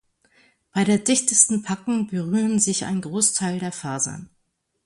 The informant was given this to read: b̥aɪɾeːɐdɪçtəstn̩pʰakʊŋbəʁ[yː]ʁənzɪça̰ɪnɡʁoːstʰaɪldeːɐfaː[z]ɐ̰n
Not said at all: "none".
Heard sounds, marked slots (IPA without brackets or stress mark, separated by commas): yː, z